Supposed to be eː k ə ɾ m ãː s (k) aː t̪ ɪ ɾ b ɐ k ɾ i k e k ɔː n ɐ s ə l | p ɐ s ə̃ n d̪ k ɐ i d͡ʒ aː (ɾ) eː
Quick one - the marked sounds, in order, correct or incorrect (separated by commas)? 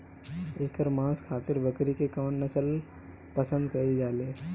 incorrect, incorrect